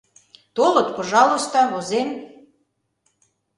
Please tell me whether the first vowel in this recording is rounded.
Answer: yes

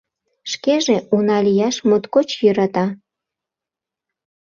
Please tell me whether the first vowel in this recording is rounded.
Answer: no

